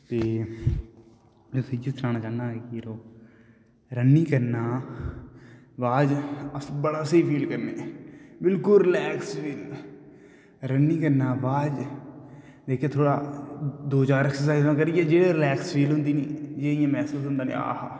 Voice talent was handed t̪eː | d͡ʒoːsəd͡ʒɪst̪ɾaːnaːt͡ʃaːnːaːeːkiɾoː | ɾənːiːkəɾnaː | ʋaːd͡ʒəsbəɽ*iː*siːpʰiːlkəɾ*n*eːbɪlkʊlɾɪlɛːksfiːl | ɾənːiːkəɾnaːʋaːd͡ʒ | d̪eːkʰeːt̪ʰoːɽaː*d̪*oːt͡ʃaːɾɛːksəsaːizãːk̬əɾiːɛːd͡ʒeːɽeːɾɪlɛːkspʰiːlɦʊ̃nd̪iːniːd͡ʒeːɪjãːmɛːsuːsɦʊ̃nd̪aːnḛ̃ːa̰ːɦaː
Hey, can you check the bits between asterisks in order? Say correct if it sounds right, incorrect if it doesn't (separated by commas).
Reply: incorrect, correct, correct